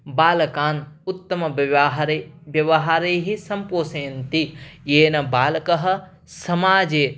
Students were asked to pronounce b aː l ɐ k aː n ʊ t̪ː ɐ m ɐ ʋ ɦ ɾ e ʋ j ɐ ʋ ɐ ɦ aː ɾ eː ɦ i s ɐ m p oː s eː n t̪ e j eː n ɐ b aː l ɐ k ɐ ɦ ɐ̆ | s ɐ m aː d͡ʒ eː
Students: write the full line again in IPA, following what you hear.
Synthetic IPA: b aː l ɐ k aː n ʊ t̪ː ɐ m ɐ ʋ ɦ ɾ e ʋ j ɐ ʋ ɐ ɦ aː ɾ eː ɦ i s ɐ m p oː s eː n t̪ i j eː n ɐ b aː l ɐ k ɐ ɦ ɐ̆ | s ɐ m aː d͡ʒ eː